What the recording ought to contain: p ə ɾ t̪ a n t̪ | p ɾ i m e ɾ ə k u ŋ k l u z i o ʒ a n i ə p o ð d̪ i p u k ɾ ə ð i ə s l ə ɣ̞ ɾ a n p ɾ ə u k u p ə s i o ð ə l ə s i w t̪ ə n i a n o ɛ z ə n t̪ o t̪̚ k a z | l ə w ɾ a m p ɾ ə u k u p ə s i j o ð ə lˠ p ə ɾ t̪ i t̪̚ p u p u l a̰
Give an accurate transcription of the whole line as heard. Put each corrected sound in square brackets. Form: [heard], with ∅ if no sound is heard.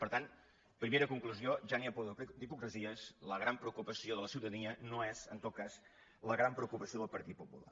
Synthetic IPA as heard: p ə ɾ t̪ a n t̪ | p ɾ i m e ɾ ə k u ŋ k l u z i o ʒ a n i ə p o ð d̪ i p u k ɾ ə [z] i ə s l ə ɣ̞ ɾ a [m] p ɾ ə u k u p ə s i o ð ə l ə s i w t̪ ə n i [ə] n o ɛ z ə n t̪ o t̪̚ k a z | l ə [ɣ] ɾ a m p ɾ ə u k u p ə s i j o ð ə lˠ p ə ɾ t̪ i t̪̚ p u p u l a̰